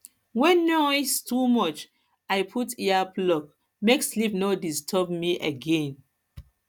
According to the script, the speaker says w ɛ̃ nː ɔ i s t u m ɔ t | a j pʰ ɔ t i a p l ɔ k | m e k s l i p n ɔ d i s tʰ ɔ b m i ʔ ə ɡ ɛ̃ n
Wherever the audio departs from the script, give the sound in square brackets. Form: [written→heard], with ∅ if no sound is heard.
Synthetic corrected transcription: w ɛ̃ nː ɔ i s t u m ɔ [t→t͡ʃ] | a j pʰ [ɔ→u] t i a p l ɔ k | m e k s l i p n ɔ d i s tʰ ɔ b m i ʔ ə ɡ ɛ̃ n